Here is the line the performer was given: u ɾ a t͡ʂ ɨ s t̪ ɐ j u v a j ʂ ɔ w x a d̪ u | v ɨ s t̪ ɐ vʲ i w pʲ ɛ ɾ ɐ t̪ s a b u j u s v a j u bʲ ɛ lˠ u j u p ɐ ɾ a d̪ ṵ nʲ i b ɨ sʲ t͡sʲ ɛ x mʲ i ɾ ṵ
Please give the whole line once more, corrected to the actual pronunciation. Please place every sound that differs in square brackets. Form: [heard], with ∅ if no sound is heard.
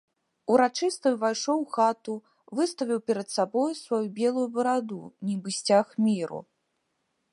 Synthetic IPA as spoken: u ɾ a t͡ʂ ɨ s t̪ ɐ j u v a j ʂ ɔ w x a [t̪] u | v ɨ s t̪ ɐ vʲ i w pʲ ɛ ɾ ɐ t̪ s a b [ɔ] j u s v a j u bʲ ɛ lˠ u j u [b] ɐ ɾ a d̪ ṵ nʲ i b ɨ sʲ t͡sʲ [a] x mʲ i ɾ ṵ